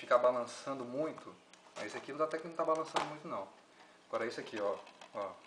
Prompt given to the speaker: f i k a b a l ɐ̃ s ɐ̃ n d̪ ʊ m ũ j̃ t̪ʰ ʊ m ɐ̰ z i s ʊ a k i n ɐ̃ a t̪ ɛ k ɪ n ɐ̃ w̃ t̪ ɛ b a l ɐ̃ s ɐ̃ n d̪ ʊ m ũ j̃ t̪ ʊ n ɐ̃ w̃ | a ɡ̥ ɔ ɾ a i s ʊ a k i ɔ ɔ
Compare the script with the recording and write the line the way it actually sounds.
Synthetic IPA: f i k a b a l ɐ̃ s ɐ̃ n d̪ ʊ m ũ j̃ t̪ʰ ʊ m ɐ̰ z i s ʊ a k i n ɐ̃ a t̪ ɛ k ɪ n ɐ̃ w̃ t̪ a b a l ɐ̃ s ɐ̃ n d̪ ʊ m ũ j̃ t̪ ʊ n ɐ̃ w̃ | a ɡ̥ ɔ ɾ ɐ i s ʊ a k i ɔ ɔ